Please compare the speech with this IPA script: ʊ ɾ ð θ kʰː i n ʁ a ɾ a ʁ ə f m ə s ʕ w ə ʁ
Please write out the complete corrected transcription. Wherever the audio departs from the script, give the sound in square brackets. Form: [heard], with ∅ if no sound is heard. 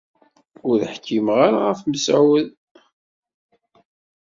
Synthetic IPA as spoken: ʊ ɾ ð [ħ] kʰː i [m] ʁ a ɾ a ʁ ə f m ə s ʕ w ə [ð]